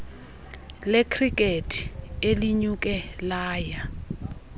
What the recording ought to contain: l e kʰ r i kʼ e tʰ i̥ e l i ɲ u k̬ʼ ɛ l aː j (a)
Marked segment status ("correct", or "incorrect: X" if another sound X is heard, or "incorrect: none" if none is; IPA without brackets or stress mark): correct